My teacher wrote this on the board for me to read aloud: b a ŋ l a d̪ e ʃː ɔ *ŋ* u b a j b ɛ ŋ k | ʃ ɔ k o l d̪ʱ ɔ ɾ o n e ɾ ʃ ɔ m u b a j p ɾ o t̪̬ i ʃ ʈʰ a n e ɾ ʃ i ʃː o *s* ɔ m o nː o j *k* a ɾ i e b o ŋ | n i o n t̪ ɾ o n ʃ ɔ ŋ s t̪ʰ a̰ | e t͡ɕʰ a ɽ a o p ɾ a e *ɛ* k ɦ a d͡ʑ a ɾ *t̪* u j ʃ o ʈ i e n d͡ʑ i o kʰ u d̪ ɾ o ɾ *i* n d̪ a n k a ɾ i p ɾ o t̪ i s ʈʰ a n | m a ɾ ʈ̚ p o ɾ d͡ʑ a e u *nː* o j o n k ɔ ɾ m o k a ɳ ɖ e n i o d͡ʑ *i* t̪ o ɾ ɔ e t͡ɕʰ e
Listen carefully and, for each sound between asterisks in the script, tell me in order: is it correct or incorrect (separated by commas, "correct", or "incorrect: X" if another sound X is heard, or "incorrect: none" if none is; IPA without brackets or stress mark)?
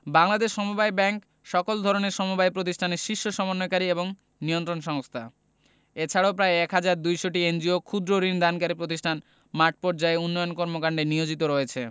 incorrect: m, incorrect: ʃ, correct, correct, incorrect: d̪, correct, correct, correct